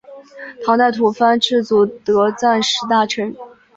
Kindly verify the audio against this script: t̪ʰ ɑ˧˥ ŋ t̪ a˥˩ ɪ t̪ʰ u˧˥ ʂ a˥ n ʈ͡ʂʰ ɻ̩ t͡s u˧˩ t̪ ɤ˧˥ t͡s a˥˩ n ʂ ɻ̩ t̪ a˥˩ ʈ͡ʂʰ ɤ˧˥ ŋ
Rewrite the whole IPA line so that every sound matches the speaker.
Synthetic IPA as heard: t̪ʰ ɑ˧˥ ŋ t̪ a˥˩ ɪ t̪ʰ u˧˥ f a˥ n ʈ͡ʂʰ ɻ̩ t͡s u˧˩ t̪ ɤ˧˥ t͡s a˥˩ n ʂ ɻ̩ t̪ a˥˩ ʈ͡ʂʰ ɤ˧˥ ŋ